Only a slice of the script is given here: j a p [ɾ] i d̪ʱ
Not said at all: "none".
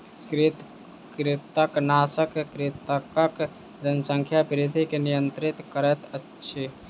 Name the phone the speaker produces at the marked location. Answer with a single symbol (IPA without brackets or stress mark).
ɾ